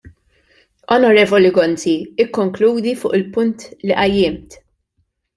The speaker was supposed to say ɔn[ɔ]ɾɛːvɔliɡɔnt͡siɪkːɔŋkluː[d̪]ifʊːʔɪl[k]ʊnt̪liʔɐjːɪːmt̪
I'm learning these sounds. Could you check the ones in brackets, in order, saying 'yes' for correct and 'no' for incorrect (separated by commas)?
yes, yes, no